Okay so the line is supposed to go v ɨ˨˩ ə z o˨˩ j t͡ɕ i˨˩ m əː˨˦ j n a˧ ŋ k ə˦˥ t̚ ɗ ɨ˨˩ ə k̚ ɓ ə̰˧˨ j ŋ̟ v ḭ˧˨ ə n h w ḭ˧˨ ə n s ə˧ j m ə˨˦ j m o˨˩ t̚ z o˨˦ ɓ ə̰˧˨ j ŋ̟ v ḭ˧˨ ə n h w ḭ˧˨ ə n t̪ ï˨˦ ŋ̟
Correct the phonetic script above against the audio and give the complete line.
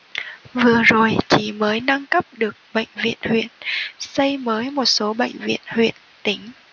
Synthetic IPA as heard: v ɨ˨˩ ə z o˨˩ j t͡ɕ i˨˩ m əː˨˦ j n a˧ ŋ k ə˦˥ p̚ ɗ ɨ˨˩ ə k̚ ɓ ə̰˧˨ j ŋ̟ v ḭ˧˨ ə n h w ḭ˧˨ ə n s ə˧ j m əː˨˦ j m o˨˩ t̚ s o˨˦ ɓ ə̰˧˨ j ŋ̟ v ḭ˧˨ ə n h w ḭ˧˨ ə n t̪ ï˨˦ ŋ̟